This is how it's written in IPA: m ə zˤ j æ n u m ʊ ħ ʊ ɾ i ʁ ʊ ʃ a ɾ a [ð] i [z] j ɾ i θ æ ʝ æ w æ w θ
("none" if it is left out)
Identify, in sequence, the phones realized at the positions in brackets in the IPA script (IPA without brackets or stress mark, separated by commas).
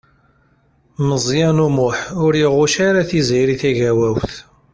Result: θ, z